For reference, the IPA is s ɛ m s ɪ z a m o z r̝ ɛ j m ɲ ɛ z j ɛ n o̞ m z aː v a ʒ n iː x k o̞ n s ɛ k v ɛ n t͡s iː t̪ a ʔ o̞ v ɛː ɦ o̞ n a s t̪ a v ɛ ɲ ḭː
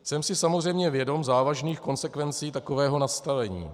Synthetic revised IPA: s ɛ m s ɪ s a m o z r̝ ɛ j m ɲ ɛ v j ɛ d o̞ m z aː v a ʒ n iː x k o̞ n s ɛ k v ɛ n t͡s iː t̪ a k o̞ v ɛː ɦ o̞ n a s t̪ a v ɛ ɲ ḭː